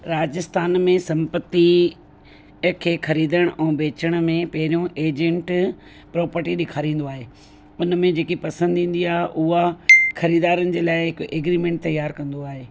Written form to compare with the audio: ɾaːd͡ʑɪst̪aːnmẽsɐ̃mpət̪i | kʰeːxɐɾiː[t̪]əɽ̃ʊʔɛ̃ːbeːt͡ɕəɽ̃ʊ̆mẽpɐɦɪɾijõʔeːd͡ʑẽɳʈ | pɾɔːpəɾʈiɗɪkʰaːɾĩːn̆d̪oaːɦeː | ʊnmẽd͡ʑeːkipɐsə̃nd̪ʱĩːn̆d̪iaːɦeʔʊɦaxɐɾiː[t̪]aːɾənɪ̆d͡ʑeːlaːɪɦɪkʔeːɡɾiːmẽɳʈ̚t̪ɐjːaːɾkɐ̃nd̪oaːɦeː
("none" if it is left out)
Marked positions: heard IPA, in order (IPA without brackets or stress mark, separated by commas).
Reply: d̪, d̪